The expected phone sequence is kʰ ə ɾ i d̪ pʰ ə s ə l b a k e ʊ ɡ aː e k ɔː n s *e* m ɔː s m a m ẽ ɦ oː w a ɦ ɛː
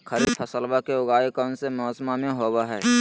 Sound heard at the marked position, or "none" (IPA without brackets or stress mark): e